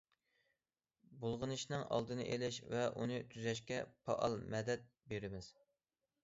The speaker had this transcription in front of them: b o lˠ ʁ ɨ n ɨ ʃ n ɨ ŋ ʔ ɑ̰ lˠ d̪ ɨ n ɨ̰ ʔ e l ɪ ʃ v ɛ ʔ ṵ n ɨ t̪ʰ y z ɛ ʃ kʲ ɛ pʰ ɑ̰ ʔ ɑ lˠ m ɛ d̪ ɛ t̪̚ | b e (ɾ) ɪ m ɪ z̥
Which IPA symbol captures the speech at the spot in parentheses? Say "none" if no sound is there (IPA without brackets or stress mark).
ɾ